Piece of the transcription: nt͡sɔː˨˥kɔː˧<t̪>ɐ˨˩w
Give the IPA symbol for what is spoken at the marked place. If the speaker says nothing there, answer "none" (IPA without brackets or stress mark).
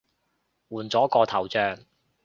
t̪ʰ